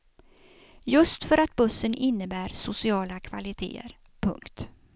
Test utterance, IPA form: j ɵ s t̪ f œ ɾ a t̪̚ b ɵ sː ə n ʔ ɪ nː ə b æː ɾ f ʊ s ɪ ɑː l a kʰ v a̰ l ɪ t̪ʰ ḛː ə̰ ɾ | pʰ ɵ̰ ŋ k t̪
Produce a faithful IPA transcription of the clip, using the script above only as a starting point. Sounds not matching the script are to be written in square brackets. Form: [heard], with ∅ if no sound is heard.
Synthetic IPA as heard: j ɵ s t̪ f œ ɾ a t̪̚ b ɵ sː ə n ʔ ɪ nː ə b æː ɾ [s] ʊ s ɪ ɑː l a kʰ v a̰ l ɪ t̪ʰ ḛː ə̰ ɾ | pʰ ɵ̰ ŋ k t̪